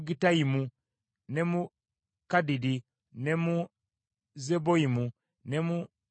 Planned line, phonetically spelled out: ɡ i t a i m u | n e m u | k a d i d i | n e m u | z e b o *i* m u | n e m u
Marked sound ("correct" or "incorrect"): correct